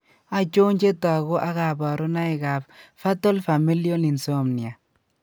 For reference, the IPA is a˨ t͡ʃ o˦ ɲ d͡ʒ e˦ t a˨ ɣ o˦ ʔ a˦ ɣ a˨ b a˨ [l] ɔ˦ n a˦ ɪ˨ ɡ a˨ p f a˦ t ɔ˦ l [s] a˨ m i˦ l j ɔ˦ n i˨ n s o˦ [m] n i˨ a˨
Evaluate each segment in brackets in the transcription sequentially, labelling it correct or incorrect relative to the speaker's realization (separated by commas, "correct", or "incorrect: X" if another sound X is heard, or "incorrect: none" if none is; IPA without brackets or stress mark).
incorrect: ɾ, incorrect: f, correct